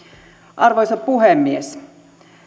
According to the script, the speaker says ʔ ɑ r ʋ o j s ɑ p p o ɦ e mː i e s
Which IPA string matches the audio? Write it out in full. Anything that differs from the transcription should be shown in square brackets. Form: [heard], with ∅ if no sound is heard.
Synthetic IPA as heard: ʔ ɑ r ʋ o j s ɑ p p [u] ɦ e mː i e s